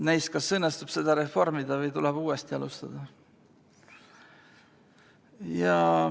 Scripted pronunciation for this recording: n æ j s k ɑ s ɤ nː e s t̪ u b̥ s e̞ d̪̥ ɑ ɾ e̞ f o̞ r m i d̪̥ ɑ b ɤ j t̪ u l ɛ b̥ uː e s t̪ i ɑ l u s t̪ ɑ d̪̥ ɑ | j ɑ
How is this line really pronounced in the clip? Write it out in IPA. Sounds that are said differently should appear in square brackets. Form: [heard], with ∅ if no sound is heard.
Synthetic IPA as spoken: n æ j s k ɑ s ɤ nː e s t̪ u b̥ s e̞ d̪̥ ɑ ɾ e̞ f o̞ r m i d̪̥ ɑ [v] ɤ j t̪ u l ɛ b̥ uː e s t̪ i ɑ l u s t̪ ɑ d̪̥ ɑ | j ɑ